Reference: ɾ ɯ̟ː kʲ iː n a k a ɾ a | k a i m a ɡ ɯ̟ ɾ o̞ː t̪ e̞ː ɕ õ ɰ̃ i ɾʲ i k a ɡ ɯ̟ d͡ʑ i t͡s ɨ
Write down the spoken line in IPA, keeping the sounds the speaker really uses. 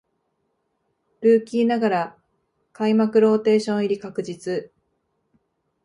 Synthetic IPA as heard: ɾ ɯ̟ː kʲ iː n a ɡ a ɾ a | k a i m a k ɯ̟ ɾ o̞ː t̪ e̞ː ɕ õ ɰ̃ i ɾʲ i k a k ɯ̟ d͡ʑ i t͡s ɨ